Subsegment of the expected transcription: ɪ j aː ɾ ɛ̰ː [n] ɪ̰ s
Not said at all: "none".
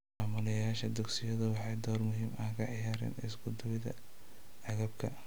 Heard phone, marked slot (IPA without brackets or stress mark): n